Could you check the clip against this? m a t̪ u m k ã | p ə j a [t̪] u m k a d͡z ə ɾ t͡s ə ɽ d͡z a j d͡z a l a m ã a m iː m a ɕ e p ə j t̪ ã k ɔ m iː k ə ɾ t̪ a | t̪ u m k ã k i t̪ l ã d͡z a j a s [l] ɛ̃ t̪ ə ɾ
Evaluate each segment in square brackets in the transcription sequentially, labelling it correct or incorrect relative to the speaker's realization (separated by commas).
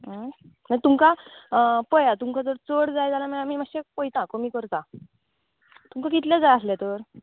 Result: correct, correct